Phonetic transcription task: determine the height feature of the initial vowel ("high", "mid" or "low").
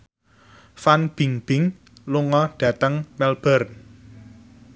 low